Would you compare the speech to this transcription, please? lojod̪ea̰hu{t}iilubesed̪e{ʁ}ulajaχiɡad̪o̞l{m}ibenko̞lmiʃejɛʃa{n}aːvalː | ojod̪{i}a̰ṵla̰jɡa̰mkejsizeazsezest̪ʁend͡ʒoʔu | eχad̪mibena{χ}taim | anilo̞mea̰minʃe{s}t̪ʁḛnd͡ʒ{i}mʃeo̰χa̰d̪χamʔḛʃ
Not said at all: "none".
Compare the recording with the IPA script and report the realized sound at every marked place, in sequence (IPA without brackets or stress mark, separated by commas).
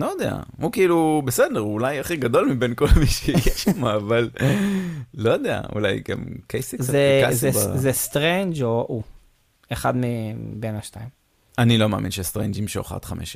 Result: k, ʁ, m, m, e, ʃ, s, i